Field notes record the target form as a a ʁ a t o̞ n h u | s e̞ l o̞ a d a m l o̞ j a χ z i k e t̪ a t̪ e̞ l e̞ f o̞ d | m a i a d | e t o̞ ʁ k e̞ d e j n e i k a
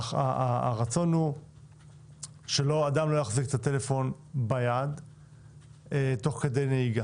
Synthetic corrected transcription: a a ʁ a t͡s o̞ n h u | ʃ e̞ l o̞ a d a m l o̞ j a χ z i k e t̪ a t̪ e̞ l e̞ f o̞ n | b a j a d | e t o̞ χ k e̞ d e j n e i ɡ a

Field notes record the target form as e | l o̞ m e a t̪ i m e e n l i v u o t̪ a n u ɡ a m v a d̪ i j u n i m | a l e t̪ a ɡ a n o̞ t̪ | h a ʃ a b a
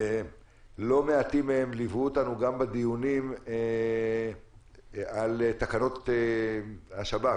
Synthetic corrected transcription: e | l o̞ m e a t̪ i m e e m l i v u o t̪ a n u ɡ a m b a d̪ i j u n i m | a l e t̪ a k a n o̞ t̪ | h a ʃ a b a

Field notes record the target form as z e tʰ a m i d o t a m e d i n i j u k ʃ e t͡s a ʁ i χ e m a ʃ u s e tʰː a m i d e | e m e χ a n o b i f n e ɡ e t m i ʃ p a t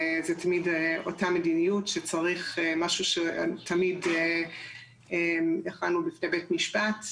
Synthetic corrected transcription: z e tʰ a m i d o t a m e d i n i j u t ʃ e t͡s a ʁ i χ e m a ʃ u ʃ e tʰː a m i d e | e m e χ a n u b i f n e b e t m i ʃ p a t

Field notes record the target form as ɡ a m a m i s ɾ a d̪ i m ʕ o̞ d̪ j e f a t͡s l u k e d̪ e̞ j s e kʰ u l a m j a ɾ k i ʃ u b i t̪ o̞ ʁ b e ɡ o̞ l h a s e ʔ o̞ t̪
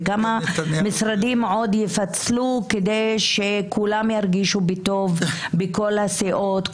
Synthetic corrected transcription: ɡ a m a m i s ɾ a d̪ i m ʕ o̞ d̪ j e f a t͡s l u k e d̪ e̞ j ʃ e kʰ u l a m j a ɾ ɡ i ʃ u b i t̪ o̞ v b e k o̞ l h a s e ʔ o̞ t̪

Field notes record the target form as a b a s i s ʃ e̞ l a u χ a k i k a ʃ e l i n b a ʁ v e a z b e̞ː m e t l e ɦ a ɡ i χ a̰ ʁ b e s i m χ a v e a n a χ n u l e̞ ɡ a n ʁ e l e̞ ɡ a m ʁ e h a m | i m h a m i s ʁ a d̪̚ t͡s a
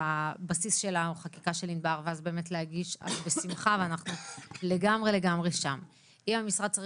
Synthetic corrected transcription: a b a s i s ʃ e̞ l a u χ a k i k a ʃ e l i n b a ʁ v e a z b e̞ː m e t l e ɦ a ɡ i ʃ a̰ z b e s i m χ a v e a n a χ n u l e̞ ɡ a m ʁ e l e̞ ɡ a m ʁ e ʃ a m | i m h a m i s ʁ a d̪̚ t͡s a

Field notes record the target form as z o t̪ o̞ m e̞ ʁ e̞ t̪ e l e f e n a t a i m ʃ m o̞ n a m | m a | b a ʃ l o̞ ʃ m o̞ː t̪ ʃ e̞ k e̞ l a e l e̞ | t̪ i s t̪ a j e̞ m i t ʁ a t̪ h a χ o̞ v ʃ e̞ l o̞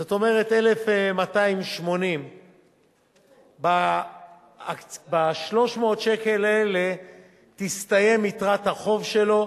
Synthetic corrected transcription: z o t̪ o̞ m e̞ ʁ e̞ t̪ e l e f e m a t a i m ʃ m o̞ n i m | b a | b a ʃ l o̞ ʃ m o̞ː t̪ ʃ e̞ k e̞ l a e l e̞ | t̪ i s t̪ a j e̞ m i t ʁ a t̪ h a χ o̞ v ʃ e̞ l o̞

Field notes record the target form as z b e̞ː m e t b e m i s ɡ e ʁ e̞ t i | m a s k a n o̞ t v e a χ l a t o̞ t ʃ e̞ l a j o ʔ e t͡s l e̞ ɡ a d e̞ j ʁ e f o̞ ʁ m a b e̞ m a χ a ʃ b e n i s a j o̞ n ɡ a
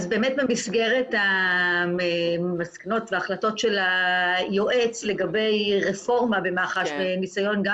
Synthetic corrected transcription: z b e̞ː m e t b e m i s ɡ e ʁ e̞ t a | m a s k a n o̞ t v e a χ l a t o̞ t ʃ e̞ l a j o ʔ e t͡s l e̞ ɡ a b e̞ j ʁ e f o̞ ʁ m a b e̞ m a χ a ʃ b e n i s a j o̞ n ɡ a

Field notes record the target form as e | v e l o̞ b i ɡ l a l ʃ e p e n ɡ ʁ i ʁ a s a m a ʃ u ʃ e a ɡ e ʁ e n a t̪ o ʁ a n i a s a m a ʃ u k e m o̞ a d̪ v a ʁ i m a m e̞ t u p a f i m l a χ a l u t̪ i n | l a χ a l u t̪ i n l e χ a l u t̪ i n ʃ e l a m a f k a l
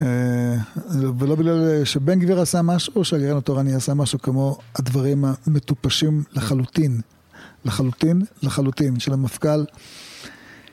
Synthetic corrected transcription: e | v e l o̞ b i ɡ l a l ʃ e b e n ɡ v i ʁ a s a m a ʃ u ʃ e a ɡ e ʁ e n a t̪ o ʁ a n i a s a m a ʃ u k e m o̞ a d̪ v a ʁ i m a m e̞ t u p a ʃ i m l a χ a l u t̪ i n | l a χ a l u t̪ i n l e χ a l u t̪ i n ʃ e l a m a f k a l

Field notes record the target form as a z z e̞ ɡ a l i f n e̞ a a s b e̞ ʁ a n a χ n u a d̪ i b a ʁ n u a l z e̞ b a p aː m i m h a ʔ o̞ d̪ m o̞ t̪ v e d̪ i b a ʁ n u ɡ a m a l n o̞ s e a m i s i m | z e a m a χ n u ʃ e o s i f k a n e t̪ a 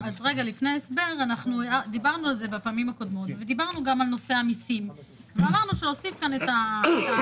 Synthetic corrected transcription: a z ʁ e̞ ɡ a l i f n e̞ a e s b e̞ ʁ a n a χ n u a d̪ i b a ʁ n u a l z e̞ b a p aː m i m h a k o̞ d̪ m o̞ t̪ v e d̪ i b a ʁ n u ɡ a m a l n o̞ s e a m i s i m | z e a m a ʁ n u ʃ e o s i f k a n e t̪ a

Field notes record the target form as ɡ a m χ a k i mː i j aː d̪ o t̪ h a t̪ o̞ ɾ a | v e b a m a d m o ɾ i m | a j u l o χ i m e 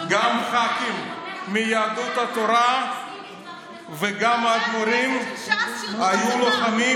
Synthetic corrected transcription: ɡ a m χ a k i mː i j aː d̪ u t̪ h a t̪ o̞ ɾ a | v e ɡ a m a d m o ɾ i m | a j u l o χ a m i

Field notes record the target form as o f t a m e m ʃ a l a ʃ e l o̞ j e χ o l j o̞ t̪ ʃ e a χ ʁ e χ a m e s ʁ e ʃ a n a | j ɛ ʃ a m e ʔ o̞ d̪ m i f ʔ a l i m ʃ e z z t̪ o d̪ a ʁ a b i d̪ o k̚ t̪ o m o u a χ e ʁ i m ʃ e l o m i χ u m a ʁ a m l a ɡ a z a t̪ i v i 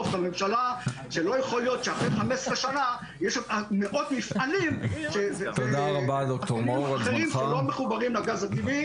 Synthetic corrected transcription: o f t a m e m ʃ a l a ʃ e l o̞ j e χ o l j o̞ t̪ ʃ e a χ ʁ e χ a m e s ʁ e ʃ a n a | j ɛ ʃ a m e ʔ o̞ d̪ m i f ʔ a l i m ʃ e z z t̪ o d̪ a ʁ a b a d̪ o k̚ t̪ o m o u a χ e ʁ i m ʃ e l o m e χ u b a ʁ i m l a ɡ a z a t̪ i v i

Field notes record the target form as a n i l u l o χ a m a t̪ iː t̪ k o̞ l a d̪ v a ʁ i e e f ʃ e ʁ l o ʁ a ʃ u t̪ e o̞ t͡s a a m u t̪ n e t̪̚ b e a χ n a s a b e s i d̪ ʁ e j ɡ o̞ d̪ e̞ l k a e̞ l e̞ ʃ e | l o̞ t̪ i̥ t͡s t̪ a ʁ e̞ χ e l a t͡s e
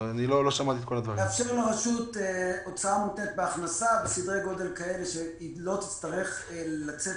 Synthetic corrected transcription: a n i l o l o ʃ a m a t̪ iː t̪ k o̞ l a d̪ v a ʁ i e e f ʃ e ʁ l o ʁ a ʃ u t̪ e o̞ t͡s a a m u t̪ n e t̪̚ b e a χ n a s a b e s i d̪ ʁ e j ɡ o̞ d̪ e̞ l k a e̞ l e̞ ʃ e | l o̞ t̪ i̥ t͡s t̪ a ʁ e̞ χ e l a t͡s e

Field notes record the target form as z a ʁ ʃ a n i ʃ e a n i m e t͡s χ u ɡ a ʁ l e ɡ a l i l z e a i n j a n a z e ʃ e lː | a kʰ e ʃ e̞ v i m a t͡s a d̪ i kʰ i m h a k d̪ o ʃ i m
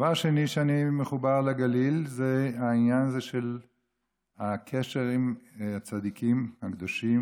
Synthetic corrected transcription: v a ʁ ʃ e n i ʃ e a n i m e χ u b a ʁ l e ɡ a l i l z e a i n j a n a z e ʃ e l | a kʰ e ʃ e̞ ʁ i m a t͡s a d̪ i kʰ i m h a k d̪ o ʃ i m

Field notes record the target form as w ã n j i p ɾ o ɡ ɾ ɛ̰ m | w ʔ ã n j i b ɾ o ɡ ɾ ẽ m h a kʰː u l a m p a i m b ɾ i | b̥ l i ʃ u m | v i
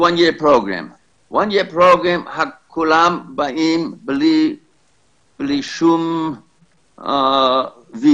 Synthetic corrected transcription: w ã n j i p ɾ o ɡ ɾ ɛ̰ m | w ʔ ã n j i p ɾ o ɡ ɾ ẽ m h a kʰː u l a m b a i m b l i | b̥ l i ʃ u m | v i

